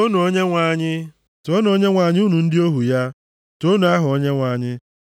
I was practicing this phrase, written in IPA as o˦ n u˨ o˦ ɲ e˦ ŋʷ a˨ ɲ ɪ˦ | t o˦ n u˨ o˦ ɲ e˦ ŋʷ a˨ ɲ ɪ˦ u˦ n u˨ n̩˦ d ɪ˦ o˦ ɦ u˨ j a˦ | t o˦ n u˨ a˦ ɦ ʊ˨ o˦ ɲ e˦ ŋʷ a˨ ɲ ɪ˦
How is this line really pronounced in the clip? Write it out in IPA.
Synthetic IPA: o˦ n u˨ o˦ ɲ e˦ ŋʷ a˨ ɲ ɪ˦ | t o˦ n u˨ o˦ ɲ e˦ ŋʷ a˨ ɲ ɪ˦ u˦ n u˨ n̩˦ d ɪ˦ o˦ ɦ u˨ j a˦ | t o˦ n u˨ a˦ ɦ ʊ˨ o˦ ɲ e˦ ŋʷ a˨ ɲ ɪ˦